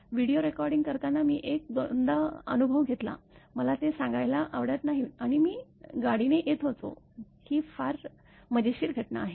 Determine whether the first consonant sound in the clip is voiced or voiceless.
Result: voiced